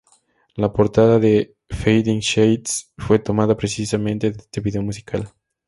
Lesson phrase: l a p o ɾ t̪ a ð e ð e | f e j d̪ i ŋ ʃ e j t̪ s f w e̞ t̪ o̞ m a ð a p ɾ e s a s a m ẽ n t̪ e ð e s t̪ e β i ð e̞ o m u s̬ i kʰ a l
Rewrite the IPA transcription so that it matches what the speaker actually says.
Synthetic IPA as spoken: l a p o ɾ t̪ a ð a ð e | f e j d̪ i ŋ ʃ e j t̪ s f w e̞ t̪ o̞ m a ð a p ɾ e s i s a m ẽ n t̪ e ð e s t̪ e β i ð e̞ o m u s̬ i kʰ a l